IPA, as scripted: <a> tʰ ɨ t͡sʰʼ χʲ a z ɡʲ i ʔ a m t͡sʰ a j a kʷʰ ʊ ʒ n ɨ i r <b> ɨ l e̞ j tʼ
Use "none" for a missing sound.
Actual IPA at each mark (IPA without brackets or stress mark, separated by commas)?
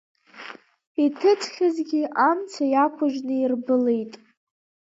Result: i, b